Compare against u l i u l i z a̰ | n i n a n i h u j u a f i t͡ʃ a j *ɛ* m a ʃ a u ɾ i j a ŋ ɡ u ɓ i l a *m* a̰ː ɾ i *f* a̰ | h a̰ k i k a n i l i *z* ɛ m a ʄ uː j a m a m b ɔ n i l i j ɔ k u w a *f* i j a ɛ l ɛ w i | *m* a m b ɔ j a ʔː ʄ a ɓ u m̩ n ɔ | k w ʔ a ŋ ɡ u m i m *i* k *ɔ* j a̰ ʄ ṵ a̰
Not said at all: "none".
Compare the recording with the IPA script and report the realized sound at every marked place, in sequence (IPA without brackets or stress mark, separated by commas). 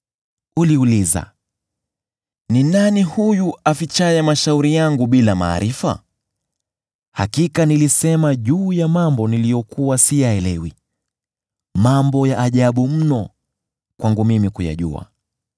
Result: ɛ, m, f, s, s, m, i, u